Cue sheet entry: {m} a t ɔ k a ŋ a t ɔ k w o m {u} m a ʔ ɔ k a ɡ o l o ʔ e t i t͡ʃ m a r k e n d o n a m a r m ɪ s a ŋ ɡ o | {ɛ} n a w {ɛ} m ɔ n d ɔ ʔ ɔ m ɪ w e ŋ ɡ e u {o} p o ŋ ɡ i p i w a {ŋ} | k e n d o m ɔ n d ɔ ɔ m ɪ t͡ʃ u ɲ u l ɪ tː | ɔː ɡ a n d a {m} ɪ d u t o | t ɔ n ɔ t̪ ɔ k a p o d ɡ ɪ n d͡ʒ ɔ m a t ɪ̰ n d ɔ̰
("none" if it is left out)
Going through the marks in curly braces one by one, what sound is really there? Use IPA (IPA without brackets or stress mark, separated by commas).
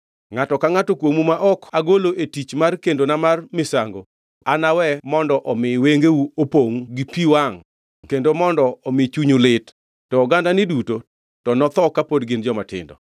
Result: ŋ, u, a, ɛ, o, ŋ, n